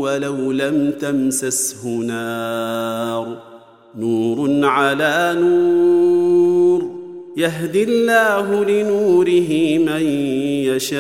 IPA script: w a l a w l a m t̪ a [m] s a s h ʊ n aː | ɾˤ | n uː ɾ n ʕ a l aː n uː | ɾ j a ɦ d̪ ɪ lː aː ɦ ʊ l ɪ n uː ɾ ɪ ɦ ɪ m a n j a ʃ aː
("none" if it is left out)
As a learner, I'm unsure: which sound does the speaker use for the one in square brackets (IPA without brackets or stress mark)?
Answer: m